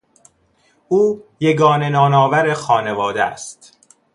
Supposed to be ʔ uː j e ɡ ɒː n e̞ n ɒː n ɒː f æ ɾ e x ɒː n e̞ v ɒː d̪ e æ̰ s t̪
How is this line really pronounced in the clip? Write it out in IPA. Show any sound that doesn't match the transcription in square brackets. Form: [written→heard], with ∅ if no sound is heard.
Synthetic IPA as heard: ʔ uː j e ɡ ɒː n e̞ n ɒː n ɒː [f→v] æ ɾ e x ɒː n e̞ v ɒː d̪ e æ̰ s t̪